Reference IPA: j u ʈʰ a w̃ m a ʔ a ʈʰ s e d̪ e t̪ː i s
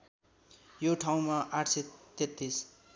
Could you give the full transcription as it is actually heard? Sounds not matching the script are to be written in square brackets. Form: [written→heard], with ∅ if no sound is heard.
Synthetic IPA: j [u→o] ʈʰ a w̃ m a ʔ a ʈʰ s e [d̪→t̪] e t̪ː i s